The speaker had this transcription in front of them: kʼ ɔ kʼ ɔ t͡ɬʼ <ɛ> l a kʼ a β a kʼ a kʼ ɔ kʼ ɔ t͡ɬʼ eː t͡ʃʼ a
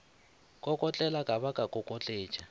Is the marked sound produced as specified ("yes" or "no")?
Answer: yes